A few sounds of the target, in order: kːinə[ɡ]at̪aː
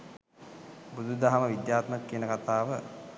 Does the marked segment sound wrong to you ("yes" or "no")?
yes